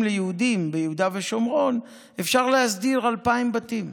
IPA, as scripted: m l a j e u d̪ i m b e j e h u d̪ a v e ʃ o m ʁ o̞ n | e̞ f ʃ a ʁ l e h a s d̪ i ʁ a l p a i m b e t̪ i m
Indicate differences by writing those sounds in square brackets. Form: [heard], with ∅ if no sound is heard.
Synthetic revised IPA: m l [e] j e u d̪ i m b e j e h u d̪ a v e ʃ o m ʁ o̞ n | e̞ f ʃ a ʁ l e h a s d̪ i ʁ a l p a i m b [a] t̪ i m